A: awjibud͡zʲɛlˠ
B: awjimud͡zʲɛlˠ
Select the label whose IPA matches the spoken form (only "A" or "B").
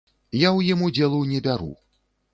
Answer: B